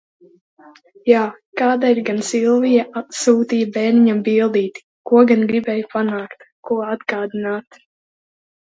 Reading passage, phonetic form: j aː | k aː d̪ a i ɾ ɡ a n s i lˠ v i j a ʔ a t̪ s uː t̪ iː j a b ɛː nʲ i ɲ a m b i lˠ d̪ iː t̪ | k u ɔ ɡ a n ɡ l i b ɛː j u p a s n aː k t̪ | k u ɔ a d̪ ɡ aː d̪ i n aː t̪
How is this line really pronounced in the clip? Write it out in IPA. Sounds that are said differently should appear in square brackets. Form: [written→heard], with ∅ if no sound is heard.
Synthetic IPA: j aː | k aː d̪ a i ɾ ɡ a n s i lˠ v i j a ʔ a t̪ s uː t̪ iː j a b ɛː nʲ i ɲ a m b i lˠ d̪ iː t̪ | k u ɔ ɡ a n ɡ [l→ɾ] i b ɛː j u p a [s→∅] n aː k t̪ | k u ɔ a d̪ ɡ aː d̪ i n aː t̪

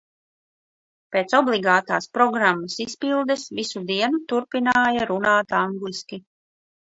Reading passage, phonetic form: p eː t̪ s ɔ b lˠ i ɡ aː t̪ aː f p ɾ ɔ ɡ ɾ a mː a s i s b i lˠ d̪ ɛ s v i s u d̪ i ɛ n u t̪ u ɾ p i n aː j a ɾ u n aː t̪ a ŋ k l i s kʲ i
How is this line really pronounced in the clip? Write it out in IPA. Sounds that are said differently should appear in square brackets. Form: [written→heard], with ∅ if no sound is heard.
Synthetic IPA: p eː t̪ s ɔ b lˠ i ɡ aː t̪ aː [f→s] p ɾ ɔ ɡ ɾ a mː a s i s [b→p] i lˠ d̪ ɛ s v i s u d̪ i ɛ n u t̪ u ɾ p i n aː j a ɾ u n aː t̪ a ŋ [k→ɡ] l i s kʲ i

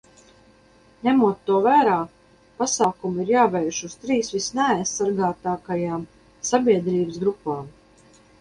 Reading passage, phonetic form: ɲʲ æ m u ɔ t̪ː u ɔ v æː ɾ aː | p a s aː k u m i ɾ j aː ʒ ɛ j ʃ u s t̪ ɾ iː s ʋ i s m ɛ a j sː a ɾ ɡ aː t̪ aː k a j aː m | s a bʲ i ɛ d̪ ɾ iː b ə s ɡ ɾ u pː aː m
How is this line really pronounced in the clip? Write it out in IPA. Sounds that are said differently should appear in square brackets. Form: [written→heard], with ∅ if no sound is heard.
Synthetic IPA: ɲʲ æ m u ɔ t̪ː u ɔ v æː ɾ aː | p a s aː k u m i ɾ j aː [ʒ→v] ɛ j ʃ u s t̪ ɾ iː s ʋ i s [m→n] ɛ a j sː a ɾ ɡ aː t̪ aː k a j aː m | s a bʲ i ɛ d̪ ɾ iː b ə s ɡ ɾ u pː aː m

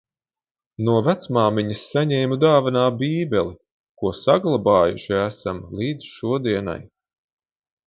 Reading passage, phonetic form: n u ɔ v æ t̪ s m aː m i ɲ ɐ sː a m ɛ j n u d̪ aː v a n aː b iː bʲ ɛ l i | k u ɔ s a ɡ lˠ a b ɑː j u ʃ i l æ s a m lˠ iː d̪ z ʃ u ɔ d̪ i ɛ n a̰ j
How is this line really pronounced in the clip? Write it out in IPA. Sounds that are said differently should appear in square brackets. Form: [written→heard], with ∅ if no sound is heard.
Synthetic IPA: n u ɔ v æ t̪ s m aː m i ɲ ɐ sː a [m→ɲ] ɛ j [n→m] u d̪ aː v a n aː b iː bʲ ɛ l i | k u ɔ s a ɡ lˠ a b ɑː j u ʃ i [l→∅] æ s a m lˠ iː d̪ z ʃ u ɔ d̪ i ɛ n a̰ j

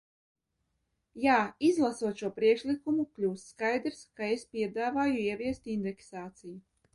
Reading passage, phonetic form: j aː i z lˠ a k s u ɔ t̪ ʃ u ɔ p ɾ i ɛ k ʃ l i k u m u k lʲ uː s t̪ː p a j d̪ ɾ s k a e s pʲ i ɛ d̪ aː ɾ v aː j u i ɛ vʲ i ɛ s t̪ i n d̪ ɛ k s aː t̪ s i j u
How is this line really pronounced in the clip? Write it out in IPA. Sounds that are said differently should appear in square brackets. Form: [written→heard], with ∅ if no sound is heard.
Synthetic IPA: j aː i z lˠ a [k→∅] s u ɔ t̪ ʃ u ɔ p ɾ i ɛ k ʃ l i k u m u k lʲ uː s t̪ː [p→k] a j d̪ ɾ s k a e s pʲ i ɛ d̪ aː [ɾ→∅] v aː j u i ɛ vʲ i ɛ s t̪ i n d̪ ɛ k s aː t̪ s i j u

